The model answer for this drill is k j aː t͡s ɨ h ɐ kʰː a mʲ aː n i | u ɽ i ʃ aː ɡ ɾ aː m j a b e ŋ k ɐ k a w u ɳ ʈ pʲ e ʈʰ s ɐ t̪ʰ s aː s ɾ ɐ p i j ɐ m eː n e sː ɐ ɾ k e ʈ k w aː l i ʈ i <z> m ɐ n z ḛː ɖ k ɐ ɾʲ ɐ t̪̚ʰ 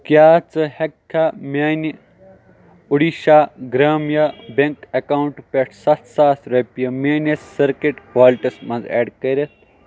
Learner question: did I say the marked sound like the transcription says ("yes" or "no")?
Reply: no